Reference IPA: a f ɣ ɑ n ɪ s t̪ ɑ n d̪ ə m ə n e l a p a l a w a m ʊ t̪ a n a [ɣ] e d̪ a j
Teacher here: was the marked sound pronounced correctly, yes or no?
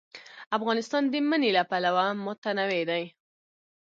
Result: no